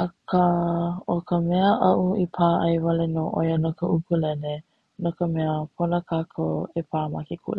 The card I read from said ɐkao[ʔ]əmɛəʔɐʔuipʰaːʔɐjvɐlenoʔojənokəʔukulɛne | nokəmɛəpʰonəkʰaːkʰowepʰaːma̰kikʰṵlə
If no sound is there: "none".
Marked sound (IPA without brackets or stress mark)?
k